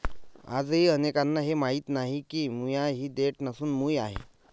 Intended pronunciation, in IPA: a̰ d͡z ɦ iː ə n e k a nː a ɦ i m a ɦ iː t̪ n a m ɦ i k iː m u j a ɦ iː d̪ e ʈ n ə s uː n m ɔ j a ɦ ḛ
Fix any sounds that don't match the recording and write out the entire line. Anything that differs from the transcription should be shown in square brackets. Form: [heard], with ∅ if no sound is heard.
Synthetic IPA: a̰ d͡z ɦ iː ə n e k a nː a ɦ [e] m a ɦ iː t̪ n a [∅] ɦ i k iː m u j a ɦ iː d̪ e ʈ n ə s uː n m [u] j a ɦ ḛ